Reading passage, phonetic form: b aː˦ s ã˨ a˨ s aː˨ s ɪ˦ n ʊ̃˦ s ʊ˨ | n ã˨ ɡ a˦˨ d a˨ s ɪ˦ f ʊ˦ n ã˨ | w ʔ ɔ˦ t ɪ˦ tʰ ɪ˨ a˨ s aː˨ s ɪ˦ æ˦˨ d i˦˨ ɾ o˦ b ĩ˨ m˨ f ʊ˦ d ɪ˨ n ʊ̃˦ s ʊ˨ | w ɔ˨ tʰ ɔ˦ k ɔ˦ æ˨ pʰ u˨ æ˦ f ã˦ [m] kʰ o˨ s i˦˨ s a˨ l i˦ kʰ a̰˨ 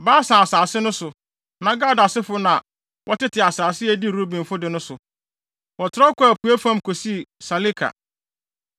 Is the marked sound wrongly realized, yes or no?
no